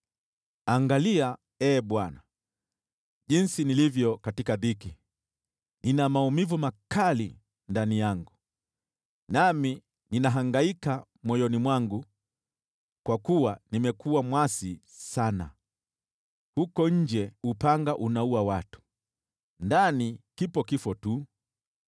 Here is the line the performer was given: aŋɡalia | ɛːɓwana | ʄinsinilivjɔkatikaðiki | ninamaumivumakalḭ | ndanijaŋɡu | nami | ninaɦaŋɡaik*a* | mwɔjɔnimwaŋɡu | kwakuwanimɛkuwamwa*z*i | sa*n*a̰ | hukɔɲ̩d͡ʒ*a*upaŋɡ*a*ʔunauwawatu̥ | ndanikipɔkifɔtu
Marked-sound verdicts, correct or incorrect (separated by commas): correct, incorrect, correct, incorrect, correct